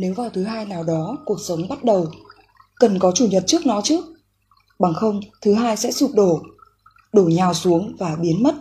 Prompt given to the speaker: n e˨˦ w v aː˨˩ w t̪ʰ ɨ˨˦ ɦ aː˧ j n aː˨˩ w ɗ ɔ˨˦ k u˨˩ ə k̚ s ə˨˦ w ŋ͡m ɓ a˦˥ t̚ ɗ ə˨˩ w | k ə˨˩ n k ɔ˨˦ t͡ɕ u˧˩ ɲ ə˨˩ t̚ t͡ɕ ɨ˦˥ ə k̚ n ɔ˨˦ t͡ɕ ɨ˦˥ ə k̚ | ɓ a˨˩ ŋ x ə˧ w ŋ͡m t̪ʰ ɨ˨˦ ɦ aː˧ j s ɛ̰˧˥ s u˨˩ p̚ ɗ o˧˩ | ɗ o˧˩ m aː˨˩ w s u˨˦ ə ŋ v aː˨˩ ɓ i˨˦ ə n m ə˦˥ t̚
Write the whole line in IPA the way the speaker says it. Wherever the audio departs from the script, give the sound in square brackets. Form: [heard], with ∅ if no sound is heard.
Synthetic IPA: n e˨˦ w v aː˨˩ w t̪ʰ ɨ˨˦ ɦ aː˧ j n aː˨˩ w ɗ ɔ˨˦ k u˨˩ ə k̚ s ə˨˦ w ŋ͡m ɓ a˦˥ t̚ ɗ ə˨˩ w | k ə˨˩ n k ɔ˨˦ t͡ɕ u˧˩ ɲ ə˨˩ t̚ t͡ɕ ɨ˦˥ ə k̚ n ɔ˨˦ t͡ɕ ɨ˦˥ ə k̚ | ɓ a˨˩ ŋ x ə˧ w ŋ͡m t̪ʰ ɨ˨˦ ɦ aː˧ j s ɛ̰˧˥ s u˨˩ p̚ ɗ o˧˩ | ɗ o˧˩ [ɲ] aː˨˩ w s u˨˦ ə ŋ v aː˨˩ ɓ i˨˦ ə n m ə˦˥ t̚